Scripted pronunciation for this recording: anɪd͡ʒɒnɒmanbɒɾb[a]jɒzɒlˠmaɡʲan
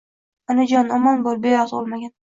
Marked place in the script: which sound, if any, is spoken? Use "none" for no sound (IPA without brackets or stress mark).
e